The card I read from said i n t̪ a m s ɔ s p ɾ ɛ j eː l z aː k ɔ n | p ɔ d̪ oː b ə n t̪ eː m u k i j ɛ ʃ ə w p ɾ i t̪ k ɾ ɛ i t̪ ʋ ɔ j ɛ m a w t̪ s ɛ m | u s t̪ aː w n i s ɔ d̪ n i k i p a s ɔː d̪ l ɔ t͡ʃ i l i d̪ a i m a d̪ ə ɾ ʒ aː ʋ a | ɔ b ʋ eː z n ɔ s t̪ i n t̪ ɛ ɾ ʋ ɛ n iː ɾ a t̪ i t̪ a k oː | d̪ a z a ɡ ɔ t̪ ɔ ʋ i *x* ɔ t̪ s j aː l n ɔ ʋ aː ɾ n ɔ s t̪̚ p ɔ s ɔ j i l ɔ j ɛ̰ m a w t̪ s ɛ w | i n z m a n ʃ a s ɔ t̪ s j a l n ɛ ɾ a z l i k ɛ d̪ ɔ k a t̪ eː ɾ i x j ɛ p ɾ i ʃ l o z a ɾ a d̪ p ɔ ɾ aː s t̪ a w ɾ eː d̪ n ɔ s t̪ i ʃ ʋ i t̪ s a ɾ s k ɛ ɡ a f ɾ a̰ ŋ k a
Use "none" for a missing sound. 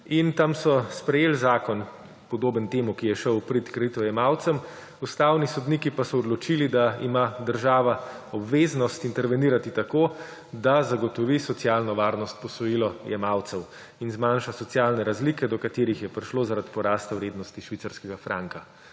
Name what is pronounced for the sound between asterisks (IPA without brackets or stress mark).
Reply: s